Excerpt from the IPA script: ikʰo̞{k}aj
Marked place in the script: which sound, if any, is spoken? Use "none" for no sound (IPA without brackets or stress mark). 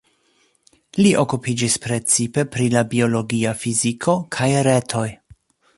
kʰ